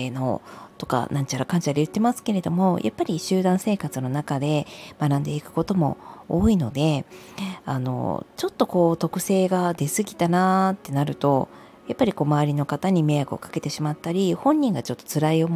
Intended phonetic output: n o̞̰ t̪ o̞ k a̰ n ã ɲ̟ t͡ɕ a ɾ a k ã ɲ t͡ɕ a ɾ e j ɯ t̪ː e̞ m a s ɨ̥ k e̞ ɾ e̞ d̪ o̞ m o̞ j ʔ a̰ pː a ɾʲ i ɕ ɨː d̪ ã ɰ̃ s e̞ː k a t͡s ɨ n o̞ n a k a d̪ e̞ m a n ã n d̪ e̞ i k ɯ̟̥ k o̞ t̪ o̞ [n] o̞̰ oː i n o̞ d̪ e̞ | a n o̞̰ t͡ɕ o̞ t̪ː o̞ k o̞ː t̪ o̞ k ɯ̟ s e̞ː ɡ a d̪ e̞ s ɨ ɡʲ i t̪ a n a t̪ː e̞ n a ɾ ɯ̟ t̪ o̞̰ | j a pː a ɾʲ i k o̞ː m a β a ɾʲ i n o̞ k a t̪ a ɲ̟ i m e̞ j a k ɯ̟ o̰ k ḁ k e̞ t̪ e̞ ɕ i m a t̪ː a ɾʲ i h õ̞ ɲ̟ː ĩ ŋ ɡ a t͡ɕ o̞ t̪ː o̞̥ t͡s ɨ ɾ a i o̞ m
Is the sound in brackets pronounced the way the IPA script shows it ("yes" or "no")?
no